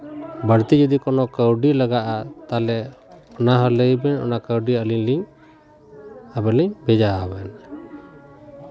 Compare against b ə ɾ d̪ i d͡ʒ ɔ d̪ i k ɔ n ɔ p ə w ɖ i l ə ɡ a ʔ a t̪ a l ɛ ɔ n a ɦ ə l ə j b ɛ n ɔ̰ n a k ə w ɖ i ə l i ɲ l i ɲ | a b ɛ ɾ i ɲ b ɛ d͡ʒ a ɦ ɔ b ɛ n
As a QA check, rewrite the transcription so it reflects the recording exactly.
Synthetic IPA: b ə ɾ t̪ i d͡ʒ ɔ d̪ i k ɔ n ɔ k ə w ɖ i l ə ɡ a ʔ a t̪ a l ɛ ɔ n a ɦ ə l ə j b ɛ n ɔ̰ n a k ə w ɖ i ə l i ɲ l i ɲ | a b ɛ l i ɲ b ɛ d͡ʒ a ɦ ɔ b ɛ n